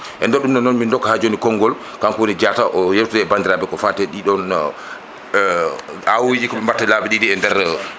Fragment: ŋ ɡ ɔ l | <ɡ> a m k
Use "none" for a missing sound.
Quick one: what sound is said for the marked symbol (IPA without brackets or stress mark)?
k